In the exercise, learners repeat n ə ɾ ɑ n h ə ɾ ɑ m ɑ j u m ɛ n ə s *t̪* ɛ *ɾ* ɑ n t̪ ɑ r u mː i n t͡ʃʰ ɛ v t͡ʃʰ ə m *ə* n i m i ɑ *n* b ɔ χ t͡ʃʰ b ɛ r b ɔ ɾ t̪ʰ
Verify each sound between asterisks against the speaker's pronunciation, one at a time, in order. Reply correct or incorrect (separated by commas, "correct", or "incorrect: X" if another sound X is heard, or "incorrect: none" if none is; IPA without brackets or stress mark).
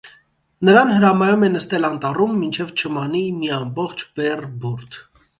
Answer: correct, incorrect: l, incorrect: ɑ, incorrect: m